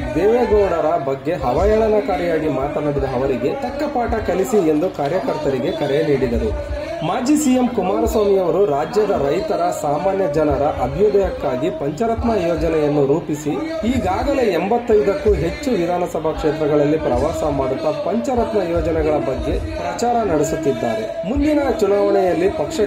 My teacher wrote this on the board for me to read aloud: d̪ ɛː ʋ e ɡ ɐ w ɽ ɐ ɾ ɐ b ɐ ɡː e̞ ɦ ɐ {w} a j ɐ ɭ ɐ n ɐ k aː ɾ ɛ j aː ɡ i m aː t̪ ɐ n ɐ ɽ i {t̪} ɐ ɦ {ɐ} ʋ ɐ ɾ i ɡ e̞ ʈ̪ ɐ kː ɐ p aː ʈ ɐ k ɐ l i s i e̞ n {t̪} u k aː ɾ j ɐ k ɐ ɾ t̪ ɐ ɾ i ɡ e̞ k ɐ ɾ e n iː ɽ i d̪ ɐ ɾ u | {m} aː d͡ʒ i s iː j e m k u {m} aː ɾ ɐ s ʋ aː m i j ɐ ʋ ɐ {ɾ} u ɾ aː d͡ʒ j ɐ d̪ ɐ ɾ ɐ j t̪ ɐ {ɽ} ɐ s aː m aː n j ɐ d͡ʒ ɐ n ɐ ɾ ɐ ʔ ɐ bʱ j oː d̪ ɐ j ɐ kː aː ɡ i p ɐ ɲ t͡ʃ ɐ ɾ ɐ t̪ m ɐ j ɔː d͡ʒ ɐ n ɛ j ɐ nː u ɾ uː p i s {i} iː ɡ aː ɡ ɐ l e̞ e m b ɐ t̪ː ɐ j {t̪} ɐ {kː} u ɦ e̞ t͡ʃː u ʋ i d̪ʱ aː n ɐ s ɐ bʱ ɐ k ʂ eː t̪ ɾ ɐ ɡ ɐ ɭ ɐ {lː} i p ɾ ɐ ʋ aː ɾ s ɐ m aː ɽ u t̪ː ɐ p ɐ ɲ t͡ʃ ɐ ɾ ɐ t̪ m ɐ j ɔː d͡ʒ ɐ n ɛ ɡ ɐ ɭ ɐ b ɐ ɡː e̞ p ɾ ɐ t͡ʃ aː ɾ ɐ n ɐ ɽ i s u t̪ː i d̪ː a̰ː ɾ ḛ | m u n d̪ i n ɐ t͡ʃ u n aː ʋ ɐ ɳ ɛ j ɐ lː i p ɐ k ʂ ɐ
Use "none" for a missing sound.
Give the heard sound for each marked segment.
ʋ, d̪, ɐ, d̪, m, m, ɾ, ɾ, i, d̪, kː, lː

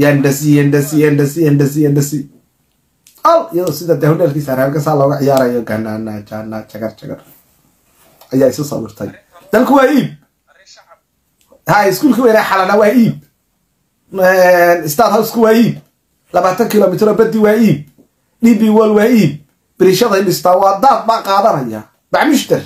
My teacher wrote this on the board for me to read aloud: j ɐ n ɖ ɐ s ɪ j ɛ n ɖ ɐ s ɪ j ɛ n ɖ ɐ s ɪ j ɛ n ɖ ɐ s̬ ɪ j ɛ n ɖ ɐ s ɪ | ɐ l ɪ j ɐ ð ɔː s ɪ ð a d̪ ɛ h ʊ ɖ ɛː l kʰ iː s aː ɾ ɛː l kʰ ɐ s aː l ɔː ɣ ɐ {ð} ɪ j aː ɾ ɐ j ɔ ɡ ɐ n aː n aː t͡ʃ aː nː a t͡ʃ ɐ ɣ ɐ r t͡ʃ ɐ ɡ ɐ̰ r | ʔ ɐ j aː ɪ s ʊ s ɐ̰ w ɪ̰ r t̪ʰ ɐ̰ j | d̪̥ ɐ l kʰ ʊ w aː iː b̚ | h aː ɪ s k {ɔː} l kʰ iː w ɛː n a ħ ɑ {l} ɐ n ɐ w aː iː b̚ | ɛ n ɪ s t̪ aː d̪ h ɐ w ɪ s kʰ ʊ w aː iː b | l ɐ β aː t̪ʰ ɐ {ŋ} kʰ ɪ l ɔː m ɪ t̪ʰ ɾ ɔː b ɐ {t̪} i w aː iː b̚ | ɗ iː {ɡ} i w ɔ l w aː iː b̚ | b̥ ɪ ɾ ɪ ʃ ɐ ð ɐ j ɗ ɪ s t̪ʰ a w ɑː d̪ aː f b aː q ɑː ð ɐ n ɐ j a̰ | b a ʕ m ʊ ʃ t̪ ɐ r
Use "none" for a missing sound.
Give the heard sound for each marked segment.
ʕ, uː, l, ŋ, d̪, b

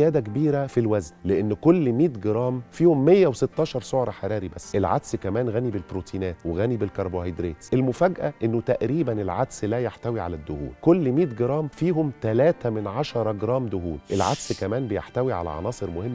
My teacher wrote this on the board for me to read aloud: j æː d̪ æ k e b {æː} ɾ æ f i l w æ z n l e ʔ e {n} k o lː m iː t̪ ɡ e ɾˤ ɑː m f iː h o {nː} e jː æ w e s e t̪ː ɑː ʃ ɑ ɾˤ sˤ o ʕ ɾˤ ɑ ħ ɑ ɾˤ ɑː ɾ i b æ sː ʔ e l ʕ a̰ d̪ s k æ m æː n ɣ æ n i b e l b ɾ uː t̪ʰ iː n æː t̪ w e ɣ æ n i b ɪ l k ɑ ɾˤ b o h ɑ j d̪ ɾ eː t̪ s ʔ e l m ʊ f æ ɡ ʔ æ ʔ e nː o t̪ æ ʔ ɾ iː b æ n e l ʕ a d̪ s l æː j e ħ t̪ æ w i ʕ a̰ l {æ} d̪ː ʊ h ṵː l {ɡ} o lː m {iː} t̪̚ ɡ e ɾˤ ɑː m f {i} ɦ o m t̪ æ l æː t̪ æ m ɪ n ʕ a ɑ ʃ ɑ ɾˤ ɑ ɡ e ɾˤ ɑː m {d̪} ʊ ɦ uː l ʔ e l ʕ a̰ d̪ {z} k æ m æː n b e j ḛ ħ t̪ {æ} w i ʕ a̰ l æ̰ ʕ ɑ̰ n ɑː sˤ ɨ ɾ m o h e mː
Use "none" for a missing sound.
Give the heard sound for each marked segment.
iː, nː, mː, æ, k, iː, iː, d̪, s, æ

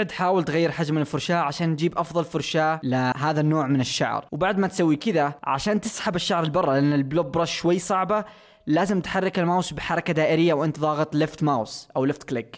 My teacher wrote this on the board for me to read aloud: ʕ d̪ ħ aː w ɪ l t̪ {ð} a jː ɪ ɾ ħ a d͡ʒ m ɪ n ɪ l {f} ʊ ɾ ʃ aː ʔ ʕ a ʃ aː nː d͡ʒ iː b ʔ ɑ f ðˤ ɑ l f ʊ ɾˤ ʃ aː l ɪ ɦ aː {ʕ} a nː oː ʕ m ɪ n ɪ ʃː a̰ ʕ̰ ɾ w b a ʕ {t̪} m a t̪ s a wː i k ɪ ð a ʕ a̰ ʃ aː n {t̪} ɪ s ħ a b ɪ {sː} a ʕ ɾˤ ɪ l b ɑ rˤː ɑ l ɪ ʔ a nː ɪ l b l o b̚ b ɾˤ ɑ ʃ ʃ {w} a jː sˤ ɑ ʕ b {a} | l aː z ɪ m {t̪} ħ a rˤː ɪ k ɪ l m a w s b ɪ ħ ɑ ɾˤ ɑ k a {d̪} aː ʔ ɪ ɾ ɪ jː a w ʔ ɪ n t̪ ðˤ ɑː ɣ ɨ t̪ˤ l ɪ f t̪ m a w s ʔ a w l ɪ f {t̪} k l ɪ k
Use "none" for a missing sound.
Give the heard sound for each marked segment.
ɣ, f, ð, d̪, t̪, ʃː, w, a, t̪, d̪, t̪

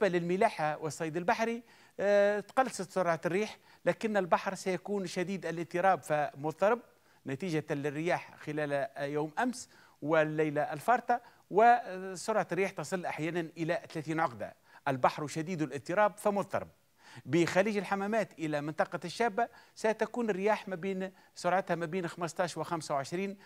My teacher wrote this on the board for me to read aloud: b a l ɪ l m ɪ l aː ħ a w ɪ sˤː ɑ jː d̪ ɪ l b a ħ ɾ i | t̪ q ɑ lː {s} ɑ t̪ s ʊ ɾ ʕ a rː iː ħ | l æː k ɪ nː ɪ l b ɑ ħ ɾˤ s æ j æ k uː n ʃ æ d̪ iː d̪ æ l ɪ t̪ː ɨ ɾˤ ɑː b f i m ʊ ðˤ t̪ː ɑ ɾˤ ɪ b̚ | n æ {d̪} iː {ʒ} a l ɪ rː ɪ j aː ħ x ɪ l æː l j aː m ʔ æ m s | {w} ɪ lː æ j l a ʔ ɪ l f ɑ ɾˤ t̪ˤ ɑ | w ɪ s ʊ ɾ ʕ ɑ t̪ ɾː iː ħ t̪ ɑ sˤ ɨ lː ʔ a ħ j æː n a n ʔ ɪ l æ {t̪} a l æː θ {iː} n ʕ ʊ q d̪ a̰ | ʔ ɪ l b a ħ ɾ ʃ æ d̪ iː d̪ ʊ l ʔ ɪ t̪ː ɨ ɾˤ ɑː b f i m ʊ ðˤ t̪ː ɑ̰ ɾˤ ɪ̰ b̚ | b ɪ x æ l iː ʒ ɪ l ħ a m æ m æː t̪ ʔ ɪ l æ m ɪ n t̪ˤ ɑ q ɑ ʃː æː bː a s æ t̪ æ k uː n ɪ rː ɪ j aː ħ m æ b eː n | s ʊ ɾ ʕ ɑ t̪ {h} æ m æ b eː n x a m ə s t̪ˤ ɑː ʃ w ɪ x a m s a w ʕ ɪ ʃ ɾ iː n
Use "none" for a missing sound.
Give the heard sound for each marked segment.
s, t̪, ʒ, w, t̪, iː, h

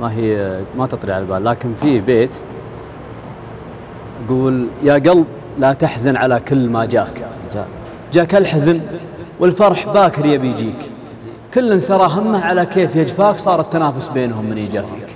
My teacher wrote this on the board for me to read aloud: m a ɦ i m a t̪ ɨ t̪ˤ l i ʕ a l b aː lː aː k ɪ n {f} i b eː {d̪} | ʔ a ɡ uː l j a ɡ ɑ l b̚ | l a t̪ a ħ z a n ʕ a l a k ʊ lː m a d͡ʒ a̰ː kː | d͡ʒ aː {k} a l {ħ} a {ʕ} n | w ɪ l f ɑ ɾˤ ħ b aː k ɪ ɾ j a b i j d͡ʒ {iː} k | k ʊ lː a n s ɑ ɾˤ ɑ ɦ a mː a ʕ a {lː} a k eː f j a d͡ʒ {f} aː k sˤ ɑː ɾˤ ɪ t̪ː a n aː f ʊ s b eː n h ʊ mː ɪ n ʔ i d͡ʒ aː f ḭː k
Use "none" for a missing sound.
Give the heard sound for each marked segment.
f, t̪, k, ħ, z, iː, l, f

